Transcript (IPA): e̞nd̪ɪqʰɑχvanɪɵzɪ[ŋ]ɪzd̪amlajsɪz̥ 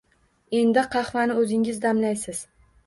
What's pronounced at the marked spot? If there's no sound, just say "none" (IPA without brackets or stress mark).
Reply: ŋ